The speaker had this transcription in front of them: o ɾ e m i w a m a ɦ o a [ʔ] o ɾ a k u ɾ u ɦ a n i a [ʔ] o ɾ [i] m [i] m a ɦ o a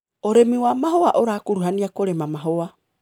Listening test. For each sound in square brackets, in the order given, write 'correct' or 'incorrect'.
correct, incorrect: k, incorrect: e, incorrect: a

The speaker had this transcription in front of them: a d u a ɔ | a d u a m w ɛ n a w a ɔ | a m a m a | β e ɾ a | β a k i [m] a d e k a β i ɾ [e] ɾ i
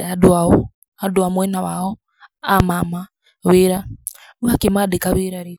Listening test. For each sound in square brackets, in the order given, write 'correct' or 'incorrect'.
correct, incorrect: a

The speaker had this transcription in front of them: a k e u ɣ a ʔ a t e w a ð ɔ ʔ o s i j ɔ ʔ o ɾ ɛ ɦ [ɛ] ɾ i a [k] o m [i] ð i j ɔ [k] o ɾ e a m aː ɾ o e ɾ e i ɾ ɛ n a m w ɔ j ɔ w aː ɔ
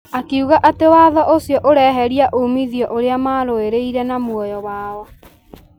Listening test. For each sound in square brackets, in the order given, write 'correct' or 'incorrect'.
correct, incorrect: ʔ, correct, incorrect: ʔ

